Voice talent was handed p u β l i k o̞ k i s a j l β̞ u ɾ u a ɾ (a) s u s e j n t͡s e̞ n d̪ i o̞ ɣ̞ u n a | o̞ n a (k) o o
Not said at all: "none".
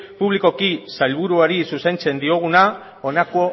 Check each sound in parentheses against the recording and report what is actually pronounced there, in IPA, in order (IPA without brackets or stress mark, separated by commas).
i, k